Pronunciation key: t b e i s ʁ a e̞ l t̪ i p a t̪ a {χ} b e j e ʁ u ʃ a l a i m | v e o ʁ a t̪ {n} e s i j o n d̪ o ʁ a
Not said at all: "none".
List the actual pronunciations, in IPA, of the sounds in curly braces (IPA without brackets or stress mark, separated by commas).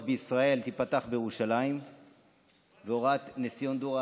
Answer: χ, n